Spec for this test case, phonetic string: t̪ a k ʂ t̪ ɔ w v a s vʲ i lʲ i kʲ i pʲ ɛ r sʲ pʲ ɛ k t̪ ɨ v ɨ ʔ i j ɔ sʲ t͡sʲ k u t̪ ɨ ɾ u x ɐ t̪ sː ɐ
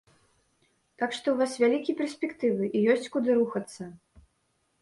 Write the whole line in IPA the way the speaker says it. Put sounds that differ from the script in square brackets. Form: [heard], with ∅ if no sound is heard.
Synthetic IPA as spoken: t̪ a k ʂ t̪ ɔ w v a s vʲ [a] lʲ i kʲ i pʲ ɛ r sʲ pʲ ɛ k t̪ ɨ v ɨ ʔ i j ɔ sʲ t͡sʲ k u [d̪] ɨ ɾ u x ɐ t̪ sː ɐ